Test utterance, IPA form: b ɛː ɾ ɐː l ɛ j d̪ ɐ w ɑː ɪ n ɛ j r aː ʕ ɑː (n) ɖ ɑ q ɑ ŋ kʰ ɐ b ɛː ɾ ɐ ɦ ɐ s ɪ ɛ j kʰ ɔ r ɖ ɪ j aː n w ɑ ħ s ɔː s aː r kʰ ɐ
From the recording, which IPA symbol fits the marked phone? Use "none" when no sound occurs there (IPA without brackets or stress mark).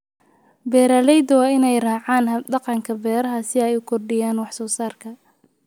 n